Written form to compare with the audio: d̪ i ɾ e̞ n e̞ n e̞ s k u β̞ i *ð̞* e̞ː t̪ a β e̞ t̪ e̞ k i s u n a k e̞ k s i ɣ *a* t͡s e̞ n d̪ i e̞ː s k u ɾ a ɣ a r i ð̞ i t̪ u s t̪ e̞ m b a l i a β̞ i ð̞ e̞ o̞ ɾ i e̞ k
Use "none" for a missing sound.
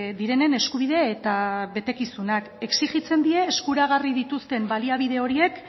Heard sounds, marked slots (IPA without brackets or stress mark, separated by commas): ð̞, i